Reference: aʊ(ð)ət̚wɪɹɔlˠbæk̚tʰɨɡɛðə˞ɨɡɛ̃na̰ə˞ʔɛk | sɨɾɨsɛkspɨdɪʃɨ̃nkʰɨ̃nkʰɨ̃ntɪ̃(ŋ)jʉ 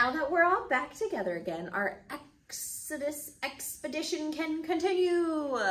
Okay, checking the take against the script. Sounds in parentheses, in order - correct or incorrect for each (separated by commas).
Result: correct, incorrect